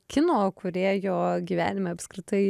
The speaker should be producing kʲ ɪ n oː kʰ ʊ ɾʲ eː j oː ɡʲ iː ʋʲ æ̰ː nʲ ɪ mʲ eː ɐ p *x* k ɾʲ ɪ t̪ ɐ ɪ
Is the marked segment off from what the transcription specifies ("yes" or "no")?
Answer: yes